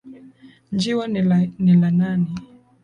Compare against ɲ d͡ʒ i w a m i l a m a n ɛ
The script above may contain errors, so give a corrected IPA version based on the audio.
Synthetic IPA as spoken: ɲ d͡ʒ i w a n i l a n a n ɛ